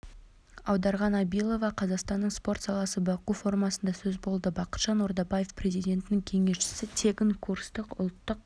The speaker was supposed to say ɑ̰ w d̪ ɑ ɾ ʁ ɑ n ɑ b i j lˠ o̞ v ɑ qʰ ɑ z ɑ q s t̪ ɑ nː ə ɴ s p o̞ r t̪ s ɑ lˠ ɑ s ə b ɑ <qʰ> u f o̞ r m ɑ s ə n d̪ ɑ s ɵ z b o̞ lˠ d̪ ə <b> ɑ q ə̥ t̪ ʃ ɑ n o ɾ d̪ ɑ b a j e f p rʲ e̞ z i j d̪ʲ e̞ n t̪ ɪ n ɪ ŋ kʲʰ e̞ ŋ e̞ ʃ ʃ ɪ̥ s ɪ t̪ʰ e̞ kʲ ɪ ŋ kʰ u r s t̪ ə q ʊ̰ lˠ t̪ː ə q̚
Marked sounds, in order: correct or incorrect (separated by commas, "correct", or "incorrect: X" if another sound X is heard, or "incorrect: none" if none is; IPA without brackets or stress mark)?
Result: incorrect: q, correct